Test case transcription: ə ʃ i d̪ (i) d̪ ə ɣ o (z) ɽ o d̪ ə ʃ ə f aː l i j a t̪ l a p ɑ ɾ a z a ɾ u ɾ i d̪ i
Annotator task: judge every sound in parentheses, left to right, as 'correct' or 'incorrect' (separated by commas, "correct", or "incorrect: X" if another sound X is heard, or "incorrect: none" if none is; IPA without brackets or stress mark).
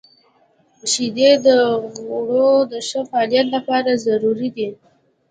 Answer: incorrect: e, incorrect: none